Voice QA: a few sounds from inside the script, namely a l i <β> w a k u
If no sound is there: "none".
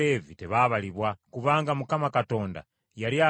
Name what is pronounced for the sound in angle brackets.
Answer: β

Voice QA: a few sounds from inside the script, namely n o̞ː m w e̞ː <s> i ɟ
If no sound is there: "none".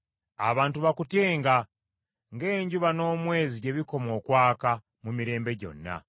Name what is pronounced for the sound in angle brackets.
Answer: z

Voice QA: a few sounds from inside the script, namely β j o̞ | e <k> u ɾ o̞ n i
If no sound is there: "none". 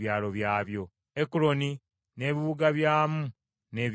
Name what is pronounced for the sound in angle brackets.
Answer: k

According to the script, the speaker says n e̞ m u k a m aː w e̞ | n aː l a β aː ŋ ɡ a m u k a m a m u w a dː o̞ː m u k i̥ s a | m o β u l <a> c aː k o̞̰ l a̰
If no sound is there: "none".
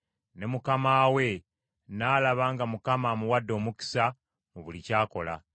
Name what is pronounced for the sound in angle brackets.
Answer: i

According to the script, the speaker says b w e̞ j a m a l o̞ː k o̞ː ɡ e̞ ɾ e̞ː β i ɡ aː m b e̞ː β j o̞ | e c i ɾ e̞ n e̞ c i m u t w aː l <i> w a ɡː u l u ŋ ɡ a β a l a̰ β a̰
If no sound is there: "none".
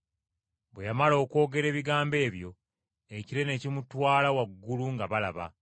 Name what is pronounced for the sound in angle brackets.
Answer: a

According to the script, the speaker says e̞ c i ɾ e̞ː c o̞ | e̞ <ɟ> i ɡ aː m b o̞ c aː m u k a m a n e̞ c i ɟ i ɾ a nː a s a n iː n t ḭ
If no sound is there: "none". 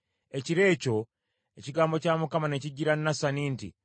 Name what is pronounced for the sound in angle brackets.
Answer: c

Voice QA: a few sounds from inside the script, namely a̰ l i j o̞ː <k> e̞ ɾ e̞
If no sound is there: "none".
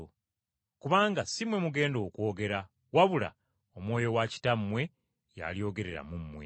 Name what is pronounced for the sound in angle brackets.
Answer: ɡ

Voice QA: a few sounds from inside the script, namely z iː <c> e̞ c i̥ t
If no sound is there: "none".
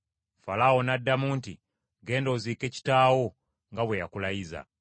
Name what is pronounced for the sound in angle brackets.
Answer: k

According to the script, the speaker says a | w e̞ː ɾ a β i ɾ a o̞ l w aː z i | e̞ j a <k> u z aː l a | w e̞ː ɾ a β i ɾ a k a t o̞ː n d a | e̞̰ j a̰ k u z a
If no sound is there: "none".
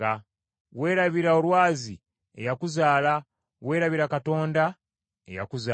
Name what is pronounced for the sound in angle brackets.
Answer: k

